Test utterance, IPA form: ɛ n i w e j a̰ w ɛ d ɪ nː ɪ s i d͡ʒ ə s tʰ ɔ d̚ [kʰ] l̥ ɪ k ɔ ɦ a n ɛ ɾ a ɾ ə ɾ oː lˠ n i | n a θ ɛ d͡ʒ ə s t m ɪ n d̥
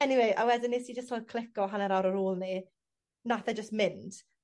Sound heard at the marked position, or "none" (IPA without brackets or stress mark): kʰ